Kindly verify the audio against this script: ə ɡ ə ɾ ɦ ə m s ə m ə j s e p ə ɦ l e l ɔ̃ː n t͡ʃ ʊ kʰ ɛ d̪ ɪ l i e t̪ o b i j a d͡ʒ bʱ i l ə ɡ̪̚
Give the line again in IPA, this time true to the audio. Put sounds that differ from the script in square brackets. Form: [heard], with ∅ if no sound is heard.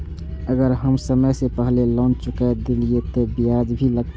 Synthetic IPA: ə ɡ ə ɾ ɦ ə m s ə m ə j s e p ə ɦ l e l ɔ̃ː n t͡ʃ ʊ [k] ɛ d̪ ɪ l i e t̪ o b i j a d͡ʒ bʱ i l ə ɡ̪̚